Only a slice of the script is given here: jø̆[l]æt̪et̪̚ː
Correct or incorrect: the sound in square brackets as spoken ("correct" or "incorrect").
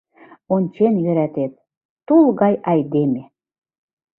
incorrect